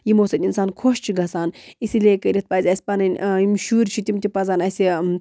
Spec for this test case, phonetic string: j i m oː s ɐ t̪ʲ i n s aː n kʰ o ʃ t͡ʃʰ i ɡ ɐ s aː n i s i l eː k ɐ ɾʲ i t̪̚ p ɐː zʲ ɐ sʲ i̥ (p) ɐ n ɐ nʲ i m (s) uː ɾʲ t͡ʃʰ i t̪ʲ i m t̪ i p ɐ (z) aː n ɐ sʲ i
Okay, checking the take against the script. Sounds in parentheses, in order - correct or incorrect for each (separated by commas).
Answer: correct, incorrect, correct